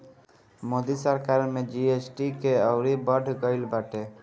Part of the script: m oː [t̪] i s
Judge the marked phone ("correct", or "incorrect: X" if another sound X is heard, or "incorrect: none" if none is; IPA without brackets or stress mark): incorrect: d̪